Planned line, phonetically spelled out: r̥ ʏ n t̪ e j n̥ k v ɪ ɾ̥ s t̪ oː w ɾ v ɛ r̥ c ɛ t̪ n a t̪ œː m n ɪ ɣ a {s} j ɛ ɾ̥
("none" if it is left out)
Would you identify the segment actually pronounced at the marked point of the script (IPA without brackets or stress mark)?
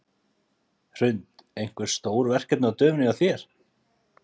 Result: θ